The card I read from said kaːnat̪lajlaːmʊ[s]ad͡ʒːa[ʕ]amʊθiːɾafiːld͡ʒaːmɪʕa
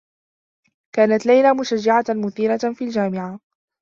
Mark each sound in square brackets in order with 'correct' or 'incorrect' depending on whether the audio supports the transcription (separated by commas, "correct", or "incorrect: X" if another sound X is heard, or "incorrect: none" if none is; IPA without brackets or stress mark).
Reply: incorrect: ʃ, correct